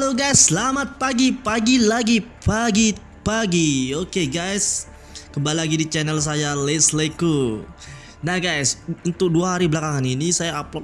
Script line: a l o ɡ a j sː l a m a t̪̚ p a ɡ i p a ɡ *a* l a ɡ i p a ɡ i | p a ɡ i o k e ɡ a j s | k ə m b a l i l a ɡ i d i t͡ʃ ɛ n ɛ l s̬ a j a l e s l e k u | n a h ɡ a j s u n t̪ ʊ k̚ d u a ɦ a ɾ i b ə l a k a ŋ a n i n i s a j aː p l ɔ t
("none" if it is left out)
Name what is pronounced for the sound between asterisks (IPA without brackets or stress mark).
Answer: i